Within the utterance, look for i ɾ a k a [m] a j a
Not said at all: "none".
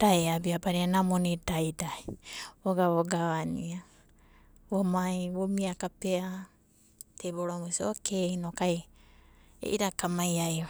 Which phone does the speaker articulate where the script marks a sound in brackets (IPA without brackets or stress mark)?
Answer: m